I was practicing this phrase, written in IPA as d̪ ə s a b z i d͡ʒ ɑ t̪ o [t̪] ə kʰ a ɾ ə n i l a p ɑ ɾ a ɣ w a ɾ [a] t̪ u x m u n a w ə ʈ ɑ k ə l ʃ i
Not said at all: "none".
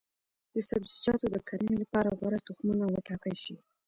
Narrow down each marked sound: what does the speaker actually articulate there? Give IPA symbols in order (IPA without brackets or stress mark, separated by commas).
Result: d̪, a